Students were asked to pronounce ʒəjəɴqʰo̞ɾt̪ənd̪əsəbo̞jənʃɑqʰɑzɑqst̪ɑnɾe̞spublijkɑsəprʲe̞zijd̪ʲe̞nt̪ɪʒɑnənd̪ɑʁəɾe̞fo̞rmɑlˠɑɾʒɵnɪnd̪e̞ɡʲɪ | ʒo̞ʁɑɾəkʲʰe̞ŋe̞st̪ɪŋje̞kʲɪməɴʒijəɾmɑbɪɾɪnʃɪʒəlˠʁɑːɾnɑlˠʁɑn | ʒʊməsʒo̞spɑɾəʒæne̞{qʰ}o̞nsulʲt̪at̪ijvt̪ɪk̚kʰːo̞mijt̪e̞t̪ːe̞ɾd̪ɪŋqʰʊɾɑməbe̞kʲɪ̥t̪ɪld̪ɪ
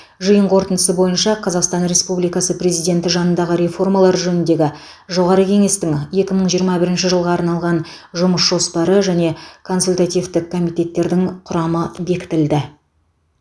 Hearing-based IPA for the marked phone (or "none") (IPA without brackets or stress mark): kʰ